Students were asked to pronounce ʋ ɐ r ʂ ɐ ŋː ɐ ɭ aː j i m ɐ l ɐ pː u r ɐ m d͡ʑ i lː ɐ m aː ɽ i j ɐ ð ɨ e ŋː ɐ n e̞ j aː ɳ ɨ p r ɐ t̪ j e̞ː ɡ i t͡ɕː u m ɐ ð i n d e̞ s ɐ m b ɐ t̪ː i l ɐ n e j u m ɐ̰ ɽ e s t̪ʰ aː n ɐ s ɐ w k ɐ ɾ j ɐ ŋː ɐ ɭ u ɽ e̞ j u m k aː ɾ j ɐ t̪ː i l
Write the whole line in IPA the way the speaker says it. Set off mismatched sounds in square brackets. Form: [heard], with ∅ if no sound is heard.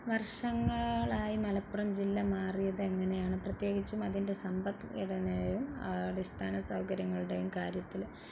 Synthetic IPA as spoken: ʋ ɐ r ʂ ɐ ŋː ɐ ɭ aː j i m ɐ l ɐ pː u r ɐ m d͡ʑ i lː ɐ m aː [r] i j ɐ ð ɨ e ŋː ɐ n e̞ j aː ɳ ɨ p r ɐ t̪ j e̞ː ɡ i t͡ɕː u m ɐ ð i n d e̞ s ɐ m b ɐ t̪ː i [ɽ] ɐ n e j u m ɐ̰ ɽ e s t̪ʰ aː n ɐ s ɐ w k ɐ ɾ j ɐ ŋː ɐ ɭ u ɽ e̞ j u m k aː ɾ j ɐ t̪ː i l